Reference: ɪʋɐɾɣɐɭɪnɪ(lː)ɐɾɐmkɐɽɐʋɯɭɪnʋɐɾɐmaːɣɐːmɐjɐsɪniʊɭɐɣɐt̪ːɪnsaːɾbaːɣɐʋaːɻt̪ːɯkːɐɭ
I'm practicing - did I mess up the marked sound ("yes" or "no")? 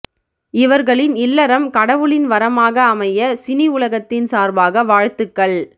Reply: no